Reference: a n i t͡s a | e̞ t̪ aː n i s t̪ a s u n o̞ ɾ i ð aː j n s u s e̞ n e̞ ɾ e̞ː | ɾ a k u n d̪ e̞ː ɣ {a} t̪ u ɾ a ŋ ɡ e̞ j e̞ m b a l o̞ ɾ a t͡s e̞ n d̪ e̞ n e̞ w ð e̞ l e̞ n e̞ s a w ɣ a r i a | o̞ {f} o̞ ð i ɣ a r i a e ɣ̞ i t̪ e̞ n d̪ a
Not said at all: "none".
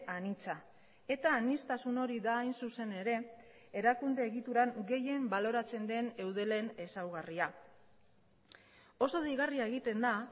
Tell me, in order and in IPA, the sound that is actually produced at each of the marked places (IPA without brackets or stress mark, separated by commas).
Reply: i, s